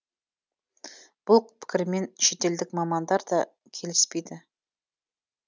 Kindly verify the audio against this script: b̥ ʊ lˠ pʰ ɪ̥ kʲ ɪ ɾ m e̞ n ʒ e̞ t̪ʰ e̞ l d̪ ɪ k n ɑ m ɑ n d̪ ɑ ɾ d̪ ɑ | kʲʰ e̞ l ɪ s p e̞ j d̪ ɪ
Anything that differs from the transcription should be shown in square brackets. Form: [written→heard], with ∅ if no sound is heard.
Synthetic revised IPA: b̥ ʊ lˠ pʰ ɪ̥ kʲ ɪ ɾ m e̞ n [ʒ→ʃ] e̞ [t̪ʰ→t̪] e̞ l d̪ ɪ k [n→m] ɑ m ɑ n d̪ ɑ ɾ d̪ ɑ | kʲʰ e̞ l ɪ s p e̞ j d̪ ɪ